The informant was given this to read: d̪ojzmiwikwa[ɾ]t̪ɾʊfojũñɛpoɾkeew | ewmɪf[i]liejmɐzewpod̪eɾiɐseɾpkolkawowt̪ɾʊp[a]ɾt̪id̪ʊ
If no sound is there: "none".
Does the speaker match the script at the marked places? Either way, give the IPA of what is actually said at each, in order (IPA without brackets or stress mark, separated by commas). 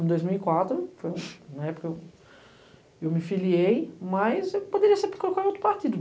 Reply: none, i, a